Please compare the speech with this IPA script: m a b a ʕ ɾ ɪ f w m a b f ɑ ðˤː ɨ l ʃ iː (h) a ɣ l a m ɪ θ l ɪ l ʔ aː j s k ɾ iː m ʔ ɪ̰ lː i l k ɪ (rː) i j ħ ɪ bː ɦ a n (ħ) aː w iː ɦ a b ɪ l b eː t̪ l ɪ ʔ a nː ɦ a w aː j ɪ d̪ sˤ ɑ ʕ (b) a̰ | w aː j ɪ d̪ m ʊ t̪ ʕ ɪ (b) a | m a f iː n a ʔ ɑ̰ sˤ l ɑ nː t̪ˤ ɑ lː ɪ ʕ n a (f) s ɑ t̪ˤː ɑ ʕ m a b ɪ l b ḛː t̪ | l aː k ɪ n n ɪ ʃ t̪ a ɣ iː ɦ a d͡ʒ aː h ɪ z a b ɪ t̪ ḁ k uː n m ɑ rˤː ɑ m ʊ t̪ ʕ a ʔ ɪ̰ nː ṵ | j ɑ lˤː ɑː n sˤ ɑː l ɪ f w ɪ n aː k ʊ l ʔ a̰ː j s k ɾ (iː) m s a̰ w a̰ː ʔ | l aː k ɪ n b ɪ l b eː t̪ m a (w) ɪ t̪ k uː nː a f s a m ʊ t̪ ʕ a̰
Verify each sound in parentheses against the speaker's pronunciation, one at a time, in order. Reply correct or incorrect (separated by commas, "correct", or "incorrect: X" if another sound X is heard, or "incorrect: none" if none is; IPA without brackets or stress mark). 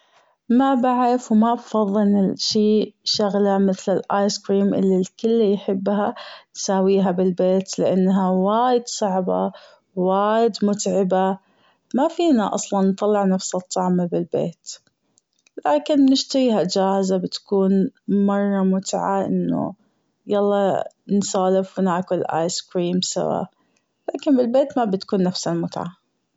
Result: incorrect: ʃ, incorrect: lː, incorrect: s, correct, correct, correct, correct, incorrect: b